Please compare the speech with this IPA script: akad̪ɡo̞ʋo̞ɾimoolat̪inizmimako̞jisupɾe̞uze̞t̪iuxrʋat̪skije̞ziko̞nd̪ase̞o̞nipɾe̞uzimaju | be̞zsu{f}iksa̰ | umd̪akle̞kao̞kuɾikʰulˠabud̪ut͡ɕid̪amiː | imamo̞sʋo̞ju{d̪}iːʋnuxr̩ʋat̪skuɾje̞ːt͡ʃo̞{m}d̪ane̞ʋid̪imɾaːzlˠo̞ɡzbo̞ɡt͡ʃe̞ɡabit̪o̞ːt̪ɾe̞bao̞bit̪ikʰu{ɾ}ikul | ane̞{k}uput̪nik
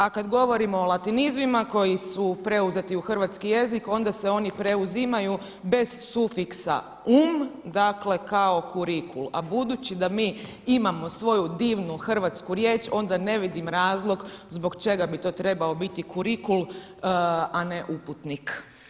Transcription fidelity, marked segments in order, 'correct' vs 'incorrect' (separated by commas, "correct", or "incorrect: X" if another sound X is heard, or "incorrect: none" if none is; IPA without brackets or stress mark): correct, correct, incorrect: n, correct, incorrect: ʔ